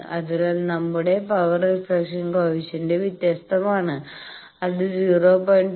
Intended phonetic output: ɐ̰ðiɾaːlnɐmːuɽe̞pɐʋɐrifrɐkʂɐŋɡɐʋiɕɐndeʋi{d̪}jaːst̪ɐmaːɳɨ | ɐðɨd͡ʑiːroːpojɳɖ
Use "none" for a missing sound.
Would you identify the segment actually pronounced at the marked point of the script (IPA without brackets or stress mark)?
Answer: t̪